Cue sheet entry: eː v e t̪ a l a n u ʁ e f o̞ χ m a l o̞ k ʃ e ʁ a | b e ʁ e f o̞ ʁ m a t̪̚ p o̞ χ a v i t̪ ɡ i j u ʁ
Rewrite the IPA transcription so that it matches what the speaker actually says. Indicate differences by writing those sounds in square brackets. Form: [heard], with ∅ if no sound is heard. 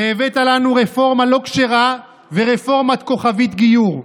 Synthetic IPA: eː v e t̪ a l a n u ʁ e f o̞ [ʁ] m a l o̞ k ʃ e ʁ a | [v] e ʁ e f o̞ ʁ m a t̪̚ [k] o̞ χ a v i t̪ ɡ i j u ʁ